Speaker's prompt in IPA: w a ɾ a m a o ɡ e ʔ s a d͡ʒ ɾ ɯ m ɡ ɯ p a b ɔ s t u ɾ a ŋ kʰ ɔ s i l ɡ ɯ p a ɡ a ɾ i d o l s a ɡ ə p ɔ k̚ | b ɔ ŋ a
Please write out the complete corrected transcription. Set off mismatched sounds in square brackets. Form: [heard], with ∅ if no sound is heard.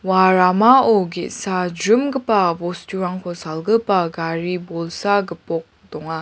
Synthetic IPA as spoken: w a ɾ a m a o ɡ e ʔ s a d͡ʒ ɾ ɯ m ɡ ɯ p a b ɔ s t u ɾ a ŋ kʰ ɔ s [a] l ɡ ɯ p a ɡ a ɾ i [b] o l s a ɡ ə p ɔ k̚ | [d] ɔ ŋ a

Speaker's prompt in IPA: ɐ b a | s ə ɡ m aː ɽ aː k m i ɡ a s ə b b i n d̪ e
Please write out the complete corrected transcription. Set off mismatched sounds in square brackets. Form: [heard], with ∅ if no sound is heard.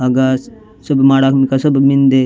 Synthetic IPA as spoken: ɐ [ɡ] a | s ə [b] m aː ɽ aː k m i [k] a s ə b [m] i n d̪ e

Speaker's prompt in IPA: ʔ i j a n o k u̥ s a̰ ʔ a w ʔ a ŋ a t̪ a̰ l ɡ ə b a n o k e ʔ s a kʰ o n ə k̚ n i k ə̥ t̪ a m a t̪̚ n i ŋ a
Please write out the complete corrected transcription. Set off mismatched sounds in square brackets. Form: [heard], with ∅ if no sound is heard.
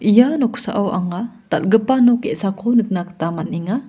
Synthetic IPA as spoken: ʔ i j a n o k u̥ s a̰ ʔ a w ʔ a ŋ a t̪ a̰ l ɡ ə [p] a n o k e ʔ s a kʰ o n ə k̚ n [a] k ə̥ t̪ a m a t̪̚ n i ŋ a

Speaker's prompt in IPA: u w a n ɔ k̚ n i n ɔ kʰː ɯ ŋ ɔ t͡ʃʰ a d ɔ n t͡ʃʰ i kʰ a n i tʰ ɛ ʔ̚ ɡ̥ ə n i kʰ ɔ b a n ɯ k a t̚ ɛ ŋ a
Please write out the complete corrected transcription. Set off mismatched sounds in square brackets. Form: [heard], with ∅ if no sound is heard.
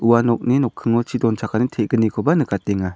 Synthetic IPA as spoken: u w a n ɔ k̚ n i n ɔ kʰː ɯ ŋ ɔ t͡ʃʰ [i] d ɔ n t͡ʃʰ [a] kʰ a n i tʰ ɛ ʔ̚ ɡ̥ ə n i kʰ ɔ b a n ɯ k a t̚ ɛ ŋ a

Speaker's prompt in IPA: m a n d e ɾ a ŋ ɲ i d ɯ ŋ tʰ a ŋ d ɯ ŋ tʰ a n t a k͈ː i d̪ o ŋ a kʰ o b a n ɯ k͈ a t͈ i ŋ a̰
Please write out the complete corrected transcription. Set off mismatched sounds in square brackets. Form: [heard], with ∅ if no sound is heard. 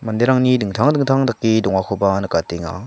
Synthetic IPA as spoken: m a n d e ɾ a ŋ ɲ i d ɯ ŋ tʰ a ŋ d ɯ ŋ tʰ a [ŋ] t a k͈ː i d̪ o ŋ a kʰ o b a n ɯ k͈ a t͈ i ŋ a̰

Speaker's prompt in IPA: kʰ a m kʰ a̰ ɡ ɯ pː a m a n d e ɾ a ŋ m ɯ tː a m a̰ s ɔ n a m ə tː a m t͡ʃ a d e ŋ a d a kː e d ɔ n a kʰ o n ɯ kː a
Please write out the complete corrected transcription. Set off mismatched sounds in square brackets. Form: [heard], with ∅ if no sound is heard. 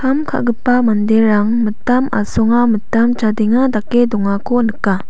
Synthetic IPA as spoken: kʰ a m kʰ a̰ ɡ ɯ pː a m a n d e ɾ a ŋ m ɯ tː a m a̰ s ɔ [ŋ] a m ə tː a m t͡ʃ a d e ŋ a d a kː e d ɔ [ŋ] a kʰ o n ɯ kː a

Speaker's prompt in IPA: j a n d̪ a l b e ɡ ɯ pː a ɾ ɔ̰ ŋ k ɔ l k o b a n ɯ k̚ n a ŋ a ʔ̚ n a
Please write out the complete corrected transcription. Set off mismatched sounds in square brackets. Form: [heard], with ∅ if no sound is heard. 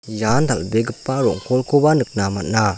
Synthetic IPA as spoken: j a n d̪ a l b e ɡ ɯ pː a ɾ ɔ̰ ŋ k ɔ l k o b a n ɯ k̚ n a [m] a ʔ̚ n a

